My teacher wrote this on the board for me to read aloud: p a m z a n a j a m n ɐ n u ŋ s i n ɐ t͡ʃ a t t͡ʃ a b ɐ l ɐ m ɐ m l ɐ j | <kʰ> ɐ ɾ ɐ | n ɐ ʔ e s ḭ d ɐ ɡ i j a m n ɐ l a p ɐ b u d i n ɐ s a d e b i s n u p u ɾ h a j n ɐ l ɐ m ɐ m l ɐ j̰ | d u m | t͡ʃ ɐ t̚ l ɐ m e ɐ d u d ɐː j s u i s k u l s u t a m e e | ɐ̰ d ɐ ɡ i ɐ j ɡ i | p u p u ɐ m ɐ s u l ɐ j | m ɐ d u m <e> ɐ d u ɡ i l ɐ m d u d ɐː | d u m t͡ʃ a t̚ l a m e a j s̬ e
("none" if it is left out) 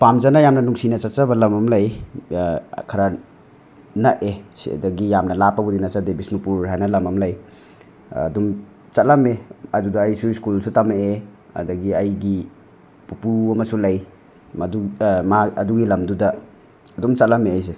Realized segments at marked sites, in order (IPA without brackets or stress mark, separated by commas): kʰ, a